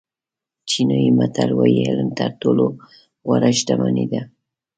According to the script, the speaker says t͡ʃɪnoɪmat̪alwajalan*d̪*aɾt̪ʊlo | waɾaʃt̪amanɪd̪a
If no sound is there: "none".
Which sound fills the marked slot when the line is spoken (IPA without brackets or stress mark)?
t̪